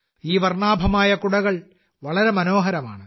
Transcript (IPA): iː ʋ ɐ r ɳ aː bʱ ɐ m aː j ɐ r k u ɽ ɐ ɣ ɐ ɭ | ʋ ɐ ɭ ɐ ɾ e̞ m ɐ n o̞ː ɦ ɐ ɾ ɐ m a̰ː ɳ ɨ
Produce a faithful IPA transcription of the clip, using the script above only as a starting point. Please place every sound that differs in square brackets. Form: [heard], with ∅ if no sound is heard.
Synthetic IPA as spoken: iː ʋ ɐ r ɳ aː bʱ ɐ m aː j ɐ [∅] k u ɽ ɐ ɣ ɐ ɭ | ʋ ɐ ɭ ɐ ɾ e̞ m ɐ n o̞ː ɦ ɐ ɾ ɐ m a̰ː ɳ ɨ